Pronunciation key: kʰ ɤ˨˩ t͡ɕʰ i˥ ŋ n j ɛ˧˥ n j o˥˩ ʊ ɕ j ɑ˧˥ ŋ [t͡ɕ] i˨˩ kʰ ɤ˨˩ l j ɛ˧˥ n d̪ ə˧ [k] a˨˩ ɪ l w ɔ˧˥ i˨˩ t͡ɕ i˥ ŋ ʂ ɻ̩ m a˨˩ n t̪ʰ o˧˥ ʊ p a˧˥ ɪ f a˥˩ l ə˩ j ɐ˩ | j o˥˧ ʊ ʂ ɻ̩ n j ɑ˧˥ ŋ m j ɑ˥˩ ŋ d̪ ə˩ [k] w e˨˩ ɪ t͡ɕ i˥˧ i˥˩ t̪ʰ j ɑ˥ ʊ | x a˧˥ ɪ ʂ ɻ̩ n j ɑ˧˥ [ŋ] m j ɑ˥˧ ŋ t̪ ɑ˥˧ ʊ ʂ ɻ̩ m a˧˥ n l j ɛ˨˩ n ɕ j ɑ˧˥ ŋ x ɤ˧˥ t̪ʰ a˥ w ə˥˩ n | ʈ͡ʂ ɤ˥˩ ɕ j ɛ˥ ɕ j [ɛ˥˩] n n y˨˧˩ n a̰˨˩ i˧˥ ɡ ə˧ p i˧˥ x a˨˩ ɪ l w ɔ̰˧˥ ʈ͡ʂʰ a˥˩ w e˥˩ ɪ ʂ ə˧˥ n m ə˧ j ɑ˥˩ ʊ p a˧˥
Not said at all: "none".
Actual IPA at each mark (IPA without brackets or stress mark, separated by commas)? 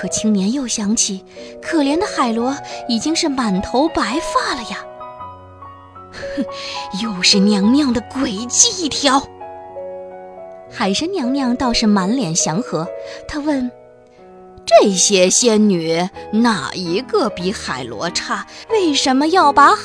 t͡ɕʰ, x, k, ŋ, ɛ˥